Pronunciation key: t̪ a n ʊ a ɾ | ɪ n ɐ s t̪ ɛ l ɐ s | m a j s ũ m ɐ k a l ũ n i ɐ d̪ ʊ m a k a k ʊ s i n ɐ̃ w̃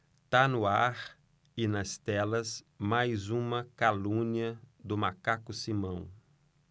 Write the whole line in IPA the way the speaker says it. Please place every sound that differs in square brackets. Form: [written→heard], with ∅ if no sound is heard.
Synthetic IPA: t̪ a n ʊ a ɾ | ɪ n ɐ s t̪ ɛ l ɐ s | m a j [s→z] ũ m ɐ k a l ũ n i ɐ d̪ ʊ m a k a k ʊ s i [n→m] ɐ̃ w̃